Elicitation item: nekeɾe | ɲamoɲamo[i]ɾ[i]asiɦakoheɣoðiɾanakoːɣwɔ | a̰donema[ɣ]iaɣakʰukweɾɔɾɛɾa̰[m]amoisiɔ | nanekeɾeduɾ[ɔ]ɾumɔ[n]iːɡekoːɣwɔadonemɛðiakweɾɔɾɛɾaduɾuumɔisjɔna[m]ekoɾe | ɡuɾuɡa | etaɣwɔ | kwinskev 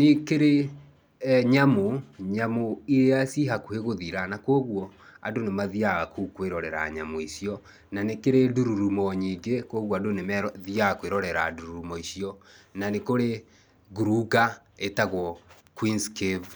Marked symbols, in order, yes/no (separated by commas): yes, no, no, no, no, no, no